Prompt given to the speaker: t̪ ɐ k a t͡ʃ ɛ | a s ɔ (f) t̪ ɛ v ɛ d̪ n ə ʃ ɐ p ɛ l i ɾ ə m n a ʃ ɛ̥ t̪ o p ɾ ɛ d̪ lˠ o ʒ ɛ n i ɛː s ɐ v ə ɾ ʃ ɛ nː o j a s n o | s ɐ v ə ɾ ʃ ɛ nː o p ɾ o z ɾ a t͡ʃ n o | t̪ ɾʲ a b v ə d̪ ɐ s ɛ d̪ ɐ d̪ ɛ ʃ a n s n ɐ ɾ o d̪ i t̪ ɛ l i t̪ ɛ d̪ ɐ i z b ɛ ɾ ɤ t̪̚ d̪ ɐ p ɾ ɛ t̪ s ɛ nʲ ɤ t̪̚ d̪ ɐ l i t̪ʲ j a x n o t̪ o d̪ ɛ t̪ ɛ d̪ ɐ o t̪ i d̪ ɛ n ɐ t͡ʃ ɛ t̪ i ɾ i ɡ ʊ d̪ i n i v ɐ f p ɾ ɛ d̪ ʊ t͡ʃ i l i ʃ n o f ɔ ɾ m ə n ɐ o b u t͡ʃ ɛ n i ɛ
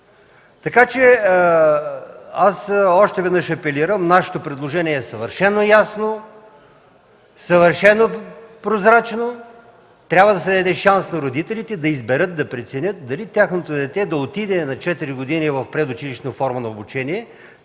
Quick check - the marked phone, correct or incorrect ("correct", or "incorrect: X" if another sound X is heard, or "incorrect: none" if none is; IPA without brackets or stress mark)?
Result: incorrect: ʃ